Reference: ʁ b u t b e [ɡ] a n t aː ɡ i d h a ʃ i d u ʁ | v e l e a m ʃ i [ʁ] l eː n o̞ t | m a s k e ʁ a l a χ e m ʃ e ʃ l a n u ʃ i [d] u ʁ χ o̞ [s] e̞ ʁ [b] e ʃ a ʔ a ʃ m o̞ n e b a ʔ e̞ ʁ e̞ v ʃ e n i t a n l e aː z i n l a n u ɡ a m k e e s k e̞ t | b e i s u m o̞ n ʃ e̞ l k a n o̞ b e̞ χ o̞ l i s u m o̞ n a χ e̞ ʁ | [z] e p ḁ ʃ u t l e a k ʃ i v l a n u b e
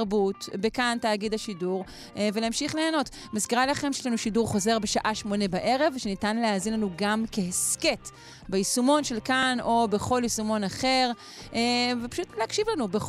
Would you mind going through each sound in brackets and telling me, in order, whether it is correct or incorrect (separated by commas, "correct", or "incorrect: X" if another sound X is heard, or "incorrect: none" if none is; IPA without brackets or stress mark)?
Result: incorrect: k, incorrect: χ, correct, incorrect: z, correct, incorrect: v